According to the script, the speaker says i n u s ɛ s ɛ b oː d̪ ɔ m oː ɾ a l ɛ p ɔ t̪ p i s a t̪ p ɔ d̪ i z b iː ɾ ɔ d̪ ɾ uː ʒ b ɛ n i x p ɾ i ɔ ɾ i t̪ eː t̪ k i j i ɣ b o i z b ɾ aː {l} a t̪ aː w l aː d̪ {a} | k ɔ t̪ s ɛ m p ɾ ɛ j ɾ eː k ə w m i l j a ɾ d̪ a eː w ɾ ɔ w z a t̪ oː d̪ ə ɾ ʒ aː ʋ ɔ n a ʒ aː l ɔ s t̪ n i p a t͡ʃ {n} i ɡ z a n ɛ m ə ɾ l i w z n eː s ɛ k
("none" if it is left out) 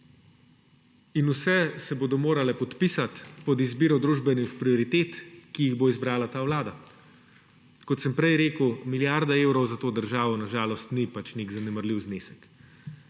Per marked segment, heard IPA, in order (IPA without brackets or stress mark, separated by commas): l, a, n